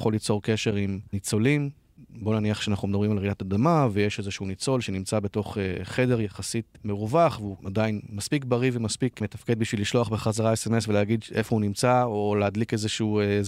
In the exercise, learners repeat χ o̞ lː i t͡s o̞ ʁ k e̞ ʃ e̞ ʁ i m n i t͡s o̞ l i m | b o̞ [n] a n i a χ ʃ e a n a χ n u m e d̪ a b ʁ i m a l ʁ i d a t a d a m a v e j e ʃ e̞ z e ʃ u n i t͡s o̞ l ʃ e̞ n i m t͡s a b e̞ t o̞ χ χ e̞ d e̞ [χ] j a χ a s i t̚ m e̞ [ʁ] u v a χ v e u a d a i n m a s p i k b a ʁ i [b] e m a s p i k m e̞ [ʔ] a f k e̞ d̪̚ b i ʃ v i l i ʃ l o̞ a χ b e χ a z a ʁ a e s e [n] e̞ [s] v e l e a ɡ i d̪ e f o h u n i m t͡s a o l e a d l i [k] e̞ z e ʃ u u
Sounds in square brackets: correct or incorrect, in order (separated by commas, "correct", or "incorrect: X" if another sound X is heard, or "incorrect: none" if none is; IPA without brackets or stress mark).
correct, incorrect: ʁ, correct, incorrect: v, incorrect: t, incorrect: m, correct, correct